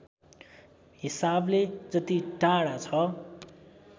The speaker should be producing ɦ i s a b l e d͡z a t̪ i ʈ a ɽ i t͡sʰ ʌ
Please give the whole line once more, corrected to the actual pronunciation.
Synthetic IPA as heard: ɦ i s a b l e d͡z ʌ t̪ i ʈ a ɽ a t͡sʰ ʌ